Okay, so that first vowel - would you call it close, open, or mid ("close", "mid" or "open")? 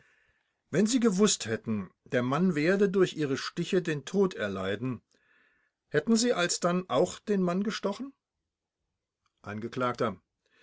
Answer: mid